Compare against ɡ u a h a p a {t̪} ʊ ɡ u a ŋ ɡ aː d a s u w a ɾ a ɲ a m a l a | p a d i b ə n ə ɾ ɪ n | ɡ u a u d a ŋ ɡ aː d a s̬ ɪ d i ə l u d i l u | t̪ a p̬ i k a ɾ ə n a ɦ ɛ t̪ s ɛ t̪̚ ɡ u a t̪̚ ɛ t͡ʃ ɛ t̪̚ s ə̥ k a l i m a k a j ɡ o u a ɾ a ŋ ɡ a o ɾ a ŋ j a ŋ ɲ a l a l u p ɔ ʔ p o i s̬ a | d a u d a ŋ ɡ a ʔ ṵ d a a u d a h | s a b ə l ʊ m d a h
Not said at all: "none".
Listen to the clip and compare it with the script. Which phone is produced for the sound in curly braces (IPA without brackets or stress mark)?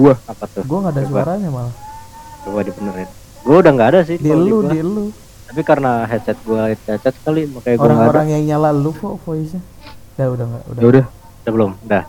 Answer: t̪